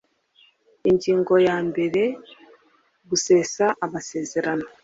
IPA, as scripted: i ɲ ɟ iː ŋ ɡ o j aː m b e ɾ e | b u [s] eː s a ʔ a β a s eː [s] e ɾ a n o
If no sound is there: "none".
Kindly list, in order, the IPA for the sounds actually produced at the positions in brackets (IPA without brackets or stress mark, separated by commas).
s, z